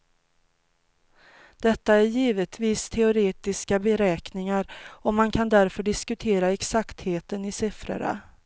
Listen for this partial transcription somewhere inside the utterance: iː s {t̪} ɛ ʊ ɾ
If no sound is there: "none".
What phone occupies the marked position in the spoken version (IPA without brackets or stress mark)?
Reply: t̪ʰ